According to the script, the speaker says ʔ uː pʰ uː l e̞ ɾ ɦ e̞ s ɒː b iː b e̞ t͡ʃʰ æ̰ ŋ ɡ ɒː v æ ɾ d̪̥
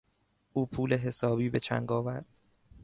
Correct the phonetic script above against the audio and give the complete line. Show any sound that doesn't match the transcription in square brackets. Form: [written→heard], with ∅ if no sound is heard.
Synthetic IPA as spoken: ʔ uː pʰ uː l e̞ [ɾ→∅] ɦ e̞ s ɒː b iː b e̞ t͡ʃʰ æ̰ ŋ ɡ ɒː v æ ɾ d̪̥

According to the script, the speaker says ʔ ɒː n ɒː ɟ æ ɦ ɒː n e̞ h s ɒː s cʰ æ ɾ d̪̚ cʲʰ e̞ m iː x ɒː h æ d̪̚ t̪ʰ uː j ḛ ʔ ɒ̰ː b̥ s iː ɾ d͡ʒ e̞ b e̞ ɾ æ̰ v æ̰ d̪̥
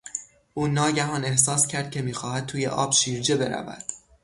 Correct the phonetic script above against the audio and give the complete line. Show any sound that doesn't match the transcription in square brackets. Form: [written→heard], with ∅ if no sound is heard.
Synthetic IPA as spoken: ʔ [ɒː→uː] n ɒː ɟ æ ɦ ɒː n e̞ h s ɒː s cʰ æ ɾ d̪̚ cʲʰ e̞ m iː x ɒː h æ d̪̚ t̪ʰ uː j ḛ ʔ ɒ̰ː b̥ [s→ʃ] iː ɾ d͡ʒ e̞ b e̞ ɾ æ̰ v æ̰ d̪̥

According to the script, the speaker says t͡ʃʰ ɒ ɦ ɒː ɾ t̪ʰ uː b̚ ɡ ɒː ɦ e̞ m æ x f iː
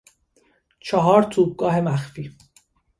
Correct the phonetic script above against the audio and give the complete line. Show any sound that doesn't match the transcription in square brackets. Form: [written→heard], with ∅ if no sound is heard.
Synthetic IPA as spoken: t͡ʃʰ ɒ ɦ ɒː ɾ t̪ʰ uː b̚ ɡ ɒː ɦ e̞ m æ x f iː

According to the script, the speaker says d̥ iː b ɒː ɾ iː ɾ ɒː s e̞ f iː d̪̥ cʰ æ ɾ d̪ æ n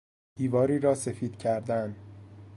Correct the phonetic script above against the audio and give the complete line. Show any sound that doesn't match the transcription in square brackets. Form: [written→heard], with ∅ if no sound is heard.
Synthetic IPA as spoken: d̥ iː [b→v] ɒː ɾ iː ɾ ɒː s e̞ f iː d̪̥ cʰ æ ɾ d̪ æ n

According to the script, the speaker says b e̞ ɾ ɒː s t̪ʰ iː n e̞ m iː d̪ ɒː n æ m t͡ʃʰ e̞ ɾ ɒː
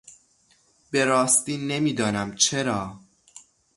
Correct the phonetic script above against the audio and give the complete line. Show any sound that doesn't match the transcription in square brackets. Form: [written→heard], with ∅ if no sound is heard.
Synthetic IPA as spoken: b e̞ ɾ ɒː s [t̪ʰ→t̪] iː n e̞ m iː d̪ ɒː n æ m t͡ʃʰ e̞ ɾ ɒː

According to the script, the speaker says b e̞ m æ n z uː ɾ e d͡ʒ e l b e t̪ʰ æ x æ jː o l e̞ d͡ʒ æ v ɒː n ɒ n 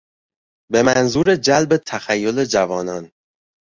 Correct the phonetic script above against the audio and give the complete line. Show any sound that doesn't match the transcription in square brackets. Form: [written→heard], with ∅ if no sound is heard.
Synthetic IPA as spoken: b e̞ m æ n z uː ɾ e d͡ʒ [e→æ] l b e t̪ʰ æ x æ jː o l e̞ d͡ʒ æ v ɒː n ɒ n

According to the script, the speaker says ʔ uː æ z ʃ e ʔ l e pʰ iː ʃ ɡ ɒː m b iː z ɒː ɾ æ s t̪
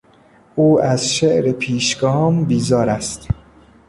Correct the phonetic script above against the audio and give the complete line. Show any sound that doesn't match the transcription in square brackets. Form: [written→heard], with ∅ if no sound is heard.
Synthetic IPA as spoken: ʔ uː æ z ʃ e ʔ [l→ɾ] e pʰ iː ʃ ɡ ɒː m b iː z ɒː ɾ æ s t̪

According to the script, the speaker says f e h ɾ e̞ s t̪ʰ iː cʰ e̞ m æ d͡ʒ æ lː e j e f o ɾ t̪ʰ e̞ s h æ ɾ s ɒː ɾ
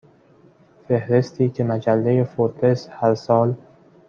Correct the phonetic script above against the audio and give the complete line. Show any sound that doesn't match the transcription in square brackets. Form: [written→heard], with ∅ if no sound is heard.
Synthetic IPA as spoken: f e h ɾ e̞ s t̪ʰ iː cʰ e̞ m æ d͡ʒ æ lː e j e f o ɾ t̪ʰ e̞ s h æ ɾ s ɒː [ɾ→l]

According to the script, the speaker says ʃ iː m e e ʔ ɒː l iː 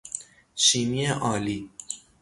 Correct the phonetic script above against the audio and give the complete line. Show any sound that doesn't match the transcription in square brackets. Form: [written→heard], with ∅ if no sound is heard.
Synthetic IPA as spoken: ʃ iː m [e→i] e ʔ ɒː l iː

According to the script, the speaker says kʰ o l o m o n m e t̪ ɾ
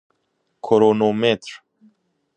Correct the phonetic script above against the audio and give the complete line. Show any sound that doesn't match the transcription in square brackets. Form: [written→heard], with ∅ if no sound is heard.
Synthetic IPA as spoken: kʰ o [l→ɾ] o [m→n] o [n→∅] m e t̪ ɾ

